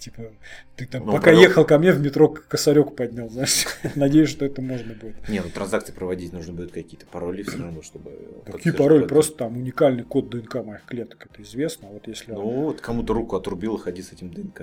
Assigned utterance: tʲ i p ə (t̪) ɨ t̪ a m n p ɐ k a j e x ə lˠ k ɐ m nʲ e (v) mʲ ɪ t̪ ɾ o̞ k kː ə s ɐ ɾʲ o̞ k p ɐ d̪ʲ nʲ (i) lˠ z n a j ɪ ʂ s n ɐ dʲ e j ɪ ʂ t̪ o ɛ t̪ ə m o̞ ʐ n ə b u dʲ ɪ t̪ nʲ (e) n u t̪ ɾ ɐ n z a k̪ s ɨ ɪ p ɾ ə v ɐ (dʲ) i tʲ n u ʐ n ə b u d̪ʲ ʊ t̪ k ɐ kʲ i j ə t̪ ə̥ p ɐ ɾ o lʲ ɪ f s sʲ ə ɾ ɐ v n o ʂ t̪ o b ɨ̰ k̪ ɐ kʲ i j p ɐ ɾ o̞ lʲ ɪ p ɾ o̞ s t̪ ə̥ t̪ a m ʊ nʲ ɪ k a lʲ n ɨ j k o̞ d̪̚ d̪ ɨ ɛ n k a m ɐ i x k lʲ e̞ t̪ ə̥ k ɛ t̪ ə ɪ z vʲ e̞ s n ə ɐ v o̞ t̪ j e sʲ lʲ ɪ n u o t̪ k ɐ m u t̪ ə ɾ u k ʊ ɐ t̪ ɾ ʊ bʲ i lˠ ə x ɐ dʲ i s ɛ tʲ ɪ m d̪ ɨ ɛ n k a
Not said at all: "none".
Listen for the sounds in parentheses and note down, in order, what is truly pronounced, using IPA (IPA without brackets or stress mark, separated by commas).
t̪, v, a, e, dʲ